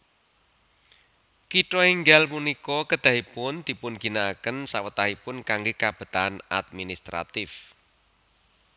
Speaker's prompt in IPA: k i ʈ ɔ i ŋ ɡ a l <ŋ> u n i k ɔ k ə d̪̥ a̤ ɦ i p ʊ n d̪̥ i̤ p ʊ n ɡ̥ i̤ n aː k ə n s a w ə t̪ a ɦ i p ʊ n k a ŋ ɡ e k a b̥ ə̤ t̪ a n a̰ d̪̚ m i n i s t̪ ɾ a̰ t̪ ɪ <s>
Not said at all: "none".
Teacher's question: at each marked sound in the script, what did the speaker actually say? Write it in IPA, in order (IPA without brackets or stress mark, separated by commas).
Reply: m, f